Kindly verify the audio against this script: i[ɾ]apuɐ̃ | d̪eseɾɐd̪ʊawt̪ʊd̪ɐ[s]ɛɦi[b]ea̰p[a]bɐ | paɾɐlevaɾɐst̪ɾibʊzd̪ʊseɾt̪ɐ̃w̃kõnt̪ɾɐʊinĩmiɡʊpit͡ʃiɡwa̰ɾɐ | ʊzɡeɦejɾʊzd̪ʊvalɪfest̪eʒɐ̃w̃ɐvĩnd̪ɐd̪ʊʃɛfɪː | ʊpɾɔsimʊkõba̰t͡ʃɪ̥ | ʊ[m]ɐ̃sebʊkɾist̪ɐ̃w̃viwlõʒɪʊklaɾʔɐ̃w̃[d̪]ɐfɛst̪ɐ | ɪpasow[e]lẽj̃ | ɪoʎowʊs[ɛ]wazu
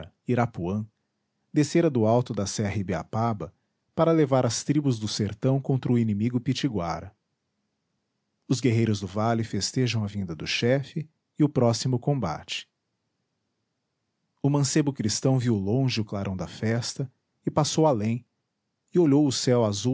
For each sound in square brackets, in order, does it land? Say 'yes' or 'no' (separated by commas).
yes, yes, yes, yes, yes, yes, no, yes